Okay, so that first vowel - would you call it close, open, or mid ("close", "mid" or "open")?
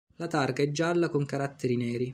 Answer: open